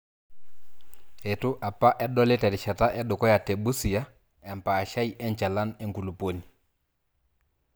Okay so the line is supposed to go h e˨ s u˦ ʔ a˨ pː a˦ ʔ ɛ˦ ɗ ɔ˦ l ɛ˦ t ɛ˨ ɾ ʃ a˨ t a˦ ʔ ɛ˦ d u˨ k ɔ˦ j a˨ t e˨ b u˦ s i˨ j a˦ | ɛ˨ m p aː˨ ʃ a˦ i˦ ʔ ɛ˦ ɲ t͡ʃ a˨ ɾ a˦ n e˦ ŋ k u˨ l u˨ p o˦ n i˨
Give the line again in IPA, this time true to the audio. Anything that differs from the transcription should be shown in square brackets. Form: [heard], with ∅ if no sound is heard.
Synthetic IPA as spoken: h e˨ [t] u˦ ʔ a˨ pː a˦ ʔ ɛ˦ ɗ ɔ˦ l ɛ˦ t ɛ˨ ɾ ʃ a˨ t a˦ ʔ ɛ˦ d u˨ k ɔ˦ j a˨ t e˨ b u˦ s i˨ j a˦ | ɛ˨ m p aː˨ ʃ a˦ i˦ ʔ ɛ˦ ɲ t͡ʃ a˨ [l] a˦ n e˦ ŋ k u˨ l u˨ p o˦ n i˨